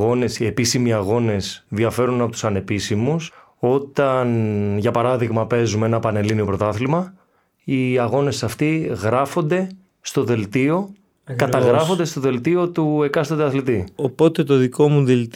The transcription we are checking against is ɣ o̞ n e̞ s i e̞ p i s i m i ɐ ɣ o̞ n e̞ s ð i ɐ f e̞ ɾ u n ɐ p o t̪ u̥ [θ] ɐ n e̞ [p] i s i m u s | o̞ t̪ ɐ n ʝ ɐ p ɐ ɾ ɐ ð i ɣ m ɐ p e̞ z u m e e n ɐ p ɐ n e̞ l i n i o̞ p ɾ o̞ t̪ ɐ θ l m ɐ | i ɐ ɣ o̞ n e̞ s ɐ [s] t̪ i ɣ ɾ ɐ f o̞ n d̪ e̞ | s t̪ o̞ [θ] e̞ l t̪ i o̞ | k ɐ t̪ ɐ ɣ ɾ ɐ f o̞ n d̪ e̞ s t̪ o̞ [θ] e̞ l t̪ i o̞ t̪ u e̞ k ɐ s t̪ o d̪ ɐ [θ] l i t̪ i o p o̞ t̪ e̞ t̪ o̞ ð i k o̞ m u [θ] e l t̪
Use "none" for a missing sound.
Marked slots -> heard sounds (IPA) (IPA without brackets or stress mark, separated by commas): s, p, f, ð, ð, θ, ð